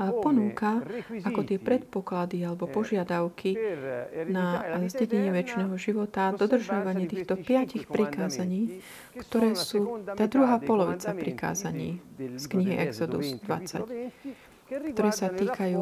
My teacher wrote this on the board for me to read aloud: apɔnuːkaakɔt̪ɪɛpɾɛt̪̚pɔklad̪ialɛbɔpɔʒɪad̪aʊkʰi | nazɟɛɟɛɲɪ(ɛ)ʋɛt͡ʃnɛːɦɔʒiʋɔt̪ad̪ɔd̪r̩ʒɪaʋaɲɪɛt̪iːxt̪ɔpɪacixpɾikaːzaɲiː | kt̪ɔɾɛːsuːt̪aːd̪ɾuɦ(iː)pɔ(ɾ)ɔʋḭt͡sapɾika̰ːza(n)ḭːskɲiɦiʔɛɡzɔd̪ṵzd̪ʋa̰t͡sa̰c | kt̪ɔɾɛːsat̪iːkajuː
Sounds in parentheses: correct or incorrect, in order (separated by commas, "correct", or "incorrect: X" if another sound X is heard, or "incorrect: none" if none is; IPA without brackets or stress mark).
correct, incorrect: aː, incorrect: l, incorrect: ɲ